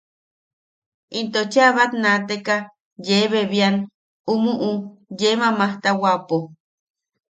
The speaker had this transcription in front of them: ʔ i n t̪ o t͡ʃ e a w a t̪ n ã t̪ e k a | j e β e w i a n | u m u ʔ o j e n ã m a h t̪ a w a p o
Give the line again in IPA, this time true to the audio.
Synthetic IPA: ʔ i n t̪ o t͡ʃ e a β a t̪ n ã t̪ e k a | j e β e β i a n | u m u ʔ u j e m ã m a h t̪ a w a p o